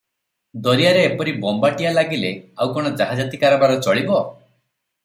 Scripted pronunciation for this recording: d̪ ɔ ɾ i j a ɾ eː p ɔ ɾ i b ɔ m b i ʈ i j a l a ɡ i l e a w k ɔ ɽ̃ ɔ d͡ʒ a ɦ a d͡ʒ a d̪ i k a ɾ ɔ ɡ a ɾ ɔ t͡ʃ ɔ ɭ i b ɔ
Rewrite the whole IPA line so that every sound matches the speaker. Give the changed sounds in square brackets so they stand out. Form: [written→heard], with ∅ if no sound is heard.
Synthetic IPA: d̪ ɔ ɾ i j a ɾ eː p ɔ ɾ i b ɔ m b [i→a] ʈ i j a l a ɡ i l e a w k ɔ ɽ̃ ɔ d͡ʒ a ɦ a d͡ʒ a [d̪→t̪] i k a ɾ ɔ [ɡ→b] a ɾ ɔ t͡ʃ ɔ ɭ i b ɔ